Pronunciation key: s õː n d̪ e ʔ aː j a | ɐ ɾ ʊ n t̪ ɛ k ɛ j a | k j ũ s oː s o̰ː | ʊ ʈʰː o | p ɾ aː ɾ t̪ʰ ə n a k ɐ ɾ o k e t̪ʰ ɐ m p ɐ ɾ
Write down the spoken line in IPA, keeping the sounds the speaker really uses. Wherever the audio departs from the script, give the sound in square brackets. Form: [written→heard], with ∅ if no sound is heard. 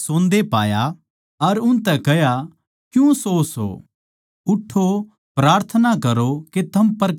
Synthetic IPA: s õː n d̪ e [ʔ→p] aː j a | ɐ ɾ ʊ n t̪ ɛ k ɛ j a | k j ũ s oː s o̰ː | ʊ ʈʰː o | p ɾ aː ɾ t̪ʰ ə n a k ɐ ɾ o k e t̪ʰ ɐ m p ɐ ɾ